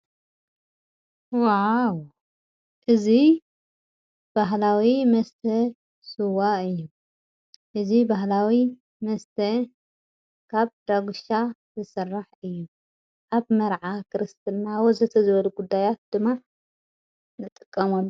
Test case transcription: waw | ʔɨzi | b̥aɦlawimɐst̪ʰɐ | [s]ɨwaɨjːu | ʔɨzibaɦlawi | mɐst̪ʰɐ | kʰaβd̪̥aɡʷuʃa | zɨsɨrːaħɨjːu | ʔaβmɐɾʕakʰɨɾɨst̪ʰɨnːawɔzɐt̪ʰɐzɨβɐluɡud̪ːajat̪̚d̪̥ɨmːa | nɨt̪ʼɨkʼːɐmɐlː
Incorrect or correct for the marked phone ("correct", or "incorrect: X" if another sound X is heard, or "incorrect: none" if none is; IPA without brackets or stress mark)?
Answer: correct